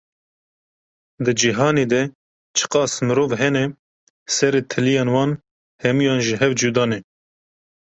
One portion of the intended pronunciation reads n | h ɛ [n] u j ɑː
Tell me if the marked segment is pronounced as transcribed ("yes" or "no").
no